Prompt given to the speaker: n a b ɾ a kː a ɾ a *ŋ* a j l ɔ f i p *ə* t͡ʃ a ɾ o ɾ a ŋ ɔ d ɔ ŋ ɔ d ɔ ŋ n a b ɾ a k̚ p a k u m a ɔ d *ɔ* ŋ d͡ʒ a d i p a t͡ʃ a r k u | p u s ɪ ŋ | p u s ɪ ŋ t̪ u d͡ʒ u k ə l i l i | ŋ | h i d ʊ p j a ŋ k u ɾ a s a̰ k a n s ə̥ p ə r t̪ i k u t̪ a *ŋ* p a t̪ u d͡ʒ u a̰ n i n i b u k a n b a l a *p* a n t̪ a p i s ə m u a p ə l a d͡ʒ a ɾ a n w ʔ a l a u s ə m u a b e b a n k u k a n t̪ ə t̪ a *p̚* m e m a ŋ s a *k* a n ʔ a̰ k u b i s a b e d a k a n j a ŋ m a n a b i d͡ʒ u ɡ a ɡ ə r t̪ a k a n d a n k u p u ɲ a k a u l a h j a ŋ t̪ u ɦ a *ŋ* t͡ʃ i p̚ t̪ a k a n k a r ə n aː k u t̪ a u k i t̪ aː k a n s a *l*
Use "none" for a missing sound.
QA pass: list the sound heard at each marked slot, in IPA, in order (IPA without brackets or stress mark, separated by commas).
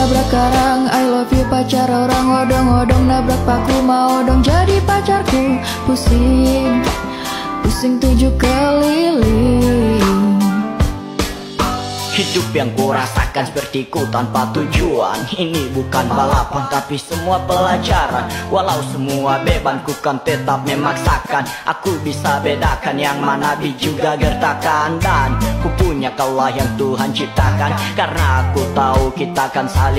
ŋ, a, ɔ, n, p, p̚, k, n, l